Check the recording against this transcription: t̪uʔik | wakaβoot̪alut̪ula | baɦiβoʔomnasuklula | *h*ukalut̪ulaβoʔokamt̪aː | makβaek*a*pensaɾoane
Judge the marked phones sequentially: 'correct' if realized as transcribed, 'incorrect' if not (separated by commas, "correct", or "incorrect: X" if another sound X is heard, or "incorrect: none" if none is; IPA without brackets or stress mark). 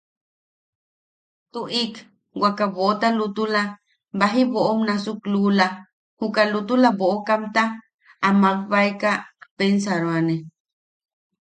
correct, correct